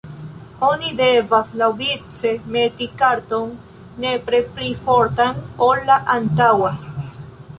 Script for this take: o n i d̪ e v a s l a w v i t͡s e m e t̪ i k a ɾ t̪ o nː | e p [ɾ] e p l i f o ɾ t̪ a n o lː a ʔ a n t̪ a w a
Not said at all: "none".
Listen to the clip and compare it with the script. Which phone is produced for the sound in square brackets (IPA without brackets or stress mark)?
ɾ